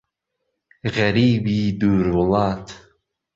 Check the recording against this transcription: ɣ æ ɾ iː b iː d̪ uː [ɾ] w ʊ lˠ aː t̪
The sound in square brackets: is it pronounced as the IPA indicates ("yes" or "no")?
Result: yes